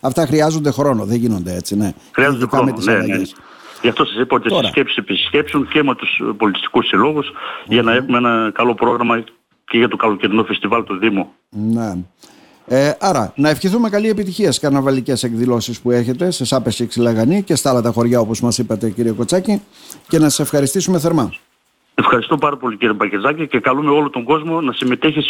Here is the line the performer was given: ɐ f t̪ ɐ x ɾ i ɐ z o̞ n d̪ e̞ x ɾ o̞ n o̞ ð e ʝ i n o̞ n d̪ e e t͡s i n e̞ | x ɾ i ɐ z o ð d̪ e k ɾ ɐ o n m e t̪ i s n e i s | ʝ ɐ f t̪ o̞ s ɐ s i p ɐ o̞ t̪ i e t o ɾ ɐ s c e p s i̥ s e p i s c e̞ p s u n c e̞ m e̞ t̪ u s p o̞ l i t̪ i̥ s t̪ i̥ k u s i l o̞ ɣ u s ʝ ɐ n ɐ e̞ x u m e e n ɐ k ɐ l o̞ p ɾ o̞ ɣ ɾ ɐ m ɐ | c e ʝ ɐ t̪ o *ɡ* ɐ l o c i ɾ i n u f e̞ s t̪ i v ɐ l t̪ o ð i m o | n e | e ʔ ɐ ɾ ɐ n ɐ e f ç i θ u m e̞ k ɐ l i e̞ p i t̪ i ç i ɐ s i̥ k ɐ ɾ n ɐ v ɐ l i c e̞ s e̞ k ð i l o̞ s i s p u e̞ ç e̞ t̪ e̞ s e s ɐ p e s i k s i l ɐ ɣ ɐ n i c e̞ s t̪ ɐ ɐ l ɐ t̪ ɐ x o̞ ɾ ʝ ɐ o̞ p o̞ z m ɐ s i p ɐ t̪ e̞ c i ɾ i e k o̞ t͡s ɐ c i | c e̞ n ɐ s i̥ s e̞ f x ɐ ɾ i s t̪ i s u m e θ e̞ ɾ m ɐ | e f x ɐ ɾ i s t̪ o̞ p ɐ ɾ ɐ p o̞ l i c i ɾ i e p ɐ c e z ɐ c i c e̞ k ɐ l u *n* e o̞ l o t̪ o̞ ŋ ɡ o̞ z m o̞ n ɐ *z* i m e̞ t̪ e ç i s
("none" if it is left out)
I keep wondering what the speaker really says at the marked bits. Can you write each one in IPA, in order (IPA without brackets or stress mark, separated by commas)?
k, m, s